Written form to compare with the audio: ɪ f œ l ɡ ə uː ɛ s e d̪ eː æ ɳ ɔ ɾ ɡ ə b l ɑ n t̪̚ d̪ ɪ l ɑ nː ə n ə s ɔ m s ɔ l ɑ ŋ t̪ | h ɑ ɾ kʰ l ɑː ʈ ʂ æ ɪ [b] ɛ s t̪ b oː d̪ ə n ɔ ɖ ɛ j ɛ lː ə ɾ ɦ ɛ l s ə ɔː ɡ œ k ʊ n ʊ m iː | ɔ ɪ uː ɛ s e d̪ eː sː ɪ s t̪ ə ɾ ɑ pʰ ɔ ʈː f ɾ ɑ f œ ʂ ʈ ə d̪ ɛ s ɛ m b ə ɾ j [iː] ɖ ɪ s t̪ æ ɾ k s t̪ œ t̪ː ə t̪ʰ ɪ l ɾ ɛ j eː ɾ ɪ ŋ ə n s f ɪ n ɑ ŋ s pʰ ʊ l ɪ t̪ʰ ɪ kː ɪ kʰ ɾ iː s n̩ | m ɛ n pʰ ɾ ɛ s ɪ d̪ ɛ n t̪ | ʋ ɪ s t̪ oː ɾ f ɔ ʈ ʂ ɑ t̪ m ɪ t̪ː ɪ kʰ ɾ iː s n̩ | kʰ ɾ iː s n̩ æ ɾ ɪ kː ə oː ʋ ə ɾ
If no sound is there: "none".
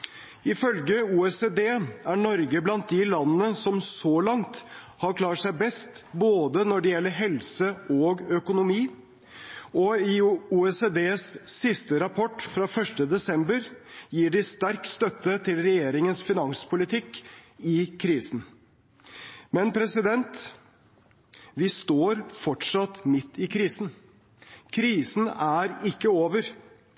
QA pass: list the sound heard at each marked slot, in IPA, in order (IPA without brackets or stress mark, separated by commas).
b, iː